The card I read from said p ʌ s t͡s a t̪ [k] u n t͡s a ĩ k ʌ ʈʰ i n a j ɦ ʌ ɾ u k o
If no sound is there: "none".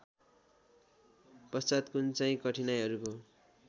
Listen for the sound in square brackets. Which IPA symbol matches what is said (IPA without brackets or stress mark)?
k